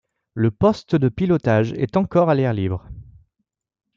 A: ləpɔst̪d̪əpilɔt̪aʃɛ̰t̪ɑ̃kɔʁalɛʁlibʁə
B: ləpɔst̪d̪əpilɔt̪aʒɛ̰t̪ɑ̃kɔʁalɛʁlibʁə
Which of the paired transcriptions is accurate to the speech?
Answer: B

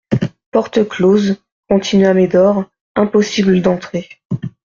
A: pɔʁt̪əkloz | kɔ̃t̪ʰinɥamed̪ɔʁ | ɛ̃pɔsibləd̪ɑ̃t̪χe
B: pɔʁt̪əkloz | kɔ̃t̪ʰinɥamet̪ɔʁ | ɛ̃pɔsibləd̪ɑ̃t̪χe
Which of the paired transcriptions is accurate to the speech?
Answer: A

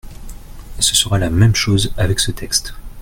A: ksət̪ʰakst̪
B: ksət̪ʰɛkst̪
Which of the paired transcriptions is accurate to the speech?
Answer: B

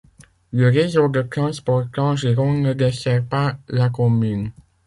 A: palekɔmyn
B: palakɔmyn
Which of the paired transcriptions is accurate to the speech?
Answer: B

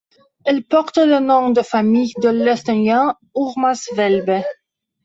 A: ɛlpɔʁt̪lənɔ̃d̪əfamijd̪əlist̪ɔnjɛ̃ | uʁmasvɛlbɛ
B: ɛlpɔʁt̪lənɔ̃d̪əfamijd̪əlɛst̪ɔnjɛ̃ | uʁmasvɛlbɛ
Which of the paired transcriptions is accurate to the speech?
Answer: B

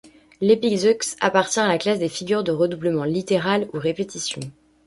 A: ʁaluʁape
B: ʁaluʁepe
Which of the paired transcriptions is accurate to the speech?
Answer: B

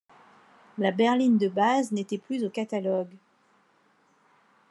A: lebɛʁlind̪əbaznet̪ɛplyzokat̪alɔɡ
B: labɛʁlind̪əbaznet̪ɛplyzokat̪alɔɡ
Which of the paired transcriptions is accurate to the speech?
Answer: B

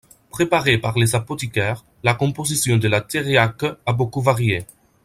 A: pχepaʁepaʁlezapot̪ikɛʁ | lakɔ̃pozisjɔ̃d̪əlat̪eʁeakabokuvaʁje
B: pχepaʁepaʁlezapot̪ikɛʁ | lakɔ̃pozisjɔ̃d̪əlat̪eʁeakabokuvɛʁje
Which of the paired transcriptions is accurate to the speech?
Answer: A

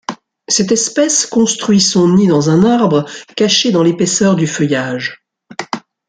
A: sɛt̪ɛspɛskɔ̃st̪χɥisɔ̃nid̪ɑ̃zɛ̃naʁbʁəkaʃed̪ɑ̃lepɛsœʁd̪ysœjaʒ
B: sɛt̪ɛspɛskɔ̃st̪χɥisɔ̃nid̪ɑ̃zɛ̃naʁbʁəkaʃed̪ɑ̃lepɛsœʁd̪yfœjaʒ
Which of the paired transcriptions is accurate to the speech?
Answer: B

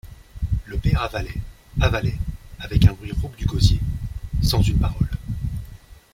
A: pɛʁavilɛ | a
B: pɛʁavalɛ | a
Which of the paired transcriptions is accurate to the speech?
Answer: B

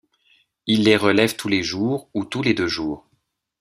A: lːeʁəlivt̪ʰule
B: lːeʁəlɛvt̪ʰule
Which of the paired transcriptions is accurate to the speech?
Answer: B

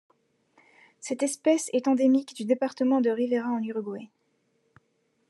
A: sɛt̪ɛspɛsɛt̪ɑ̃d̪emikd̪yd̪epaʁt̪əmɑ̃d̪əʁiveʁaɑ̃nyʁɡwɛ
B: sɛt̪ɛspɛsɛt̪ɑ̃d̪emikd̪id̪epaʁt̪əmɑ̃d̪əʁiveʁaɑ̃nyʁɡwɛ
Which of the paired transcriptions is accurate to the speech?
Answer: A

